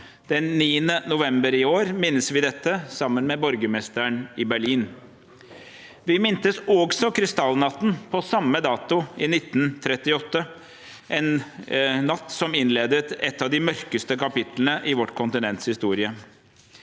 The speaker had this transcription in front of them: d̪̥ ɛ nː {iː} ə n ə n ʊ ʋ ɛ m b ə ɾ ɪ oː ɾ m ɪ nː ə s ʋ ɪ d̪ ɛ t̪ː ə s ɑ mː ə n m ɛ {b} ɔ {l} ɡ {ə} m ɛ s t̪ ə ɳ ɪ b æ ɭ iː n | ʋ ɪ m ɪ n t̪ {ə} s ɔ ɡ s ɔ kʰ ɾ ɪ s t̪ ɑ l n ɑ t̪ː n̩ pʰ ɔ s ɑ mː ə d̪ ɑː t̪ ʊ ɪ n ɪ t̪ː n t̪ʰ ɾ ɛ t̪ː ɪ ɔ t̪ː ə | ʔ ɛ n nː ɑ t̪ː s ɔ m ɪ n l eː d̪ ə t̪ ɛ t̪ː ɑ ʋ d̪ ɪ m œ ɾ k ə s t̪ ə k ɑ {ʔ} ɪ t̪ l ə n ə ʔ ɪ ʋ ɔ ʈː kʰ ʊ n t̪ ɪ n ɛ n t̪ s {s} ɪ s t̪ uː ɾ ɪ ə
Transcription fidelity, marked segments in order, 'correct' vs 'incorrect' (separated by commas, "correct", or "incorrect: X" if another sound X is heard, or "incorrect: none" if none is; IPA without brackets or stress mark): correct, correct, incorrect: ɾ, correct, correct, incorrect: p, incorrect: h